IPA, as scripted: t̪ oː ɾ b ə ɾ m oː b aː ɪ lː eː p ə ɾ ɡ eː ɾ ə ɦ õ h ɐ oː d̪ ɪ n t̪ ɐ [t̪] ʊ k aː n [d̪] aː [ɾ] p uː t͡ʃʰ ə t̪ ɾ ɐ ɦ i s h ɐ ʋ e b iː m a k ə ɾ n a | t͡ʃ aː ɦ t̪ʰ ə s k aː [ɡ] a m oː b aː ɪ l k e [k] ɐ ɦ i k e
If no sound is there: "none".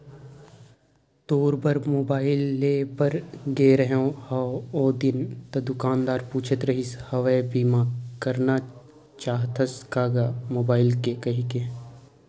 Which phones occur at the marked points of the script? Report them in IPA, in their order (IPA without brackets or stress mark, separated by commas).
d̪, d̪, ɾ, ɡ, k